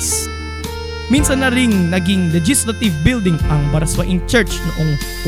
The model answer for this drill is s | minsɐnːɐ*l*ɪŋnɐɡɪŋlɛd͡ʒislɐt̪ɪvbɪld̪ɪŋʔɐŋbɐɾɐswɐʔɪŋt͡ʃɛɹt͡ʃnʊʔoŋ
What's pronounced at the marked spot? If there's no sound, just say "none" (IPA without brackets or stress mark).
ɾ